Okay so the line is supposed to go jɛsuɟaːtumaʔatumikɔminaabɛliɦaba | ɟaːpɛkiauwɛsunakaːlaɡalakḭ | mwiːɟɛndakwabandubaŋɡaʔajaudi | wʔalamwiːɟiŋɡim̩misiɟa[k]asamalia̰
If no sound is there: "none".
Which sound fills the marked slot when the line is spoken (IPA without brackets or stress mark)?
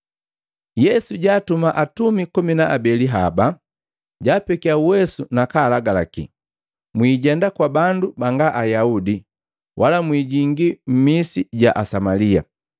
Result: ʔ